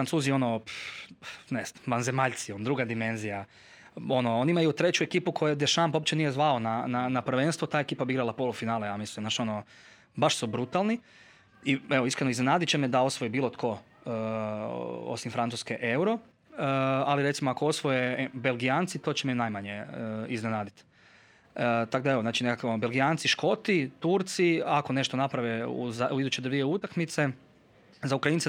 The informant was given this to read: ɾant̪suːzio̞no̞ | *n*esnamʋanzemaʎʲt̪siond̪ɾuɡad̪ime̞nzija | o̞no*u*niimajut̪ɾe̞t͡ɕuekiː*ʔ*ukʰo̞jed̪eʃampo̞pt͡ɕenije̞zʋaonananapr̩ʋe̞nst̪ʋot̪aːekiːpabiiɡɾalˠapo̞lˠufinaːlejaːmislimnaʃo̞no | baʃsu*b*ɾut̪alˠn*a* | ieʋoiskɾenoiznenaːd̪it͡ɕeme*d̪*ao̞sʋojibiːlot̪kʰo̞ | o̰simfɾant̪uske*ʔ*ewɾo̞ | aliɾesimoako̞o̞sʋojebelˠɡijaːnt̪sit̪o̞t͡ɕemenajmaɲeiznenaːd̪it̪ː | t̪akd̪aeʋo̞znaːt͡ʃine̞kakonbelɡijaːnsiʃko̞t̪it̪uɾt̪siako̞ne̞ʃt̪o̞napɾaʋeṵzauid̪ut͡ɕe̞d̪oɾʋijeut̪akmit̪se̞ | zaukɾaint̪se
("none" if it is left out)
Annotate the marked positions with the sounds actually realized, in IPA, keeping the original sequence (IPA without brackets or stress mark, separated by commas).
n, o, p, b, i, d̪, ʔ